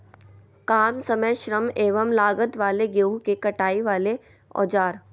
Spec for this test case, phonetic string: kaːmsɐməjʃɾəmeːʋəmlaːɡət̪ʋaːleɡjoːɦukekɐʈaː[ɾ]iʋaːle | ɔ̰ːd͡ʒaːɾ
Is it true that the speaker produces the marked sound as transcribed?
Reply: no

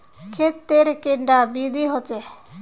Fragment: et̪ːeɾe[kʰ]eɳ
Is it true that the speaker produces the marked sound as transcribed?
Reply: no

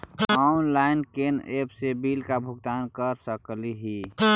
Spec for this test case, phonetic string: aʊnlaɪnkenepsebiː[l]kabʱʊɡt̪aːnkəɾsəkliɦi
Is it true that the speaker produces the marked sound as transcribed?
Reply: yes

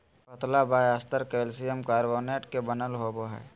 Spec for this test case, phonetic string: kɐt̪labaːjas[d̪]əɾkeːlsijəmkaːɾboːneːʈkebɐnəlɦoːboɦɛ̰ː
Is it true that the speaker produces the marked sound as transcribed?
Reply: no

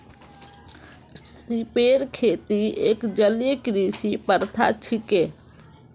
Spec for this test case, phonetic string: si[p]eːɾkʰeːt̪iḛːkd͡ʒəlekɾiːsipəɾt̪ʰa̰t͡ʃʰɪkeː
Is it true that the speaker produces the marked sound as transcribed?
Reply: yes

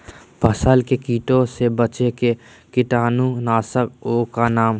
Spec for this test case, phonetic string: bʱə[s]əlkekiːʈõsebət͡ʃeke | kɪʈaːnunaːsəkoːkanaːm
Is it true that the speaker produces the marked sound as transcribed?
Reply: yes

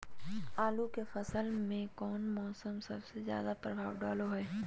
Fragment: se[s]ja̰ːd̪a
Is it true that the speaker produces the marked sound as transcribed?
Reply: no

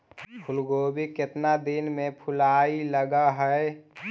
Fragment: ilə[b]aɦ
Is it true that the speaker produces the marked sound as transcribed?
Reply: no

